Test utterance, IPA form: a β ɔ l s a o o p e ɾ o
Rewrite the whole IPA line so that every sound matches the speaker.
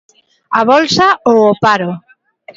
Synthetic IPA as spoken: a β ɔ l s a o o p a ɾ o